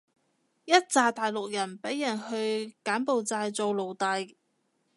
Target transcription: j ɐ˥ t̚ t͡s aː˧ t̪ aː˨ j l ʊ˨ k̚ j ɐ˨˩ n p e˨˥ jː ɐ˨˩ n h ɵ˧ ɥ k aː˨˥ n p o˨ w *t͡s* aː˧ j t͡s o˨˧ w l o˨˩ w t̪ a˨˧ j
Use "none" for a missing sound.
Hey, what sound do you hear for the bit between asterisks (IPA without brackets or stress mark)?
t͡s